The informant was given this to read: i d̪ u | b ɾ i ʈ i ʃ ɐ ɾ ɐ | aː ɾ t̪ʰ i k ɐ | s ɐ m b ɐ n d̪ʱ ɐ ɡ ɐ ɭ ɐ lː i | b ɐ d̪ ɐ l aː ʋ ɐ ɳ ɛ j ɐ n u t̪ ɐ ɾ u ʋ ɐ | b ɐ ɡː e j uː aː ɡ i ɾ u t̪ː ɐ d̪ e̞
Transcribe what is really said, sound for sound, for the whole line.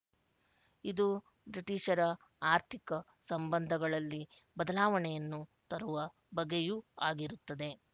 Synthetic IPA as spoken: i d̪ u | b ɾ i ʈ i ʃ ɐ ɾ ɐ | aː ɾ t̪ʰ i k ɐ | s ɐ m b ɐ n d̪ʱ ɐ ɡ ɐ ɭ ɐ lː i | b ɐ d̪ ɐ l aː ʋ ɐ ɳ ɛ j ɐ nː u t̪ ɐ ɾ u ʋ ɐ | b ɐ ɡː e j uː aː ɡ i ɾ u t̪ː ɐ d̪ e̞